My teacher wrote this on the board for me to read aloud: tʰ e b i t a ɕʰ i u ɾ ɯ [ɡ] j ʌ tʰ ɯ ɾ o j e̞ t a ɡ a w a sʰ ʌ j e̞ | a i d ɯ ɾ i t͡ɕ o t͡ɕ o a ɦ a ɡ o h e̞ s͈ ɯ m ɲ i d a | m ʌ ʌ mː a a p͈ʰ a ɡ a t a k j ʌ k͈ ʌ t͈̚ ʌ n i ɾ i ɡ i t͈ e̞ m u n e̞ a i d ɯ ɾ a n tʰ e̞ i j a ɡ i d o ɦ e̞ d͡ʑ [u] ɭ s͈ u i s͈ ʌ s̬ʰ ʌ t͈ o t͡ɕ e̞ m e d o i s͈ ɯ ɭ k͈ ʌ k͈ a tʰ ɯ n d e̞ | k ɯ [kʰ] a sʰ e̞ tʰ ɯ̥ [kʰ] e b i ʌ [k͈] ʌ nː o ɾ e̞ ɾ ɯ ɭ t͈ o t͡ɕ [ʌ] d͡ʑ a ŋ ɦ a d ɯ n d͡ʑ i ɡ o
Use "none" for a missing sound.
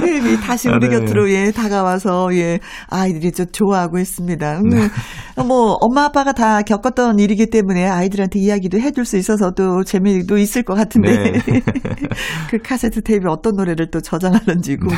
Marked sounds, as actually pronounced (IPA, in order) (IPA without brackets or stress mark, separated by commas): ɡ, u, kʰ, tʰ, t͈, ʌ